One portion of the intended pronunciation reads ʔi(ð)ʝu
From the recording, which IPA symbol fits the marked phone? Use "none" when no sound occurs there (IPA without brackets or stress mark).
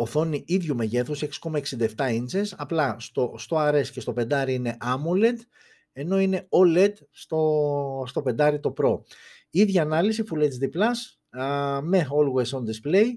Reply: ð